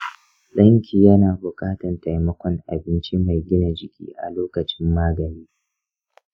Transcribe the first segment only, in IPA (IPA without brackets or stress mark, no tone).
l